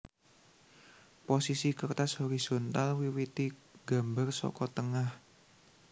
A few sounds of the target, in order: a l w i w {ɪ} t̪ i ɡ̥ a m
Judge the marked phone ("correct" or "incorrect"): incorrect